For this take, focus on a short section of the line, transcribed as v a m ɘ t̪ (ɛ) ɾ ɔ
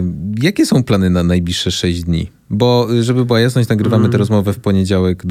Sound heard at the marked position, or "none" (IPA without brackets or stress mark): ɛ